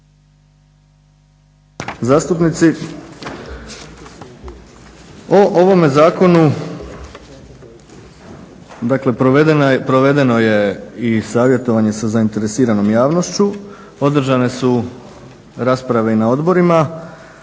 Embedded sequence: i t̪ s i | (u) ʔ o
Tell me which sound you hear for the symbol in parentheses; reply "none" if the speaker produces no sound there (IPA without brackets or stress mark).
o